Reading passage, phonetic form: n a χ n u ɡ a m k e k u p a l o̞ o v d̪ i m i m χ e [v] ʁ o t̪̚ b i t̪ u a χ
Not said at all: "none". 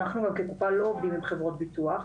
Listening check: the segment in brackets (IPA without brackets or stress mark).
v